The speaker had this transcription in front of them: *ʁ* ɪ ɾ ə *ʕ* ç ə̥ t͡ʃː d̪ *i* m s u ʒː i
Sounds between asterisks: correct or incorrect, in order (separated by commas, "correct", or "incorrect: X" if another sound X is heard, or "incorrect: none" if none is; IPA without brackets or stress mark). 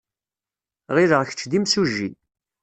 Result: correct, incorrect: ʁ, correct